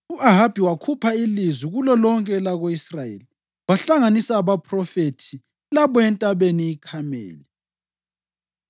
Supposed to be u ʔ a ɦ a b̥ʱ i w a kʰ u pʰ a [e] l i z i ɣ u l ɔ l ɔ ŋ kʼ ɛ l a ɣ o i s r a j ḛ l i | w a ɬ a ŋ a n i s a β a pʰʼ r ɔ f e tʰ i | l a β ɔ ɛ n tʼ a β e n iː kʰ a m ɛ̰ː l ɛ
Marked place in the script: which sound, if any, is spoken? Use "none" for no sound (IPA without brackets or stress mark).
i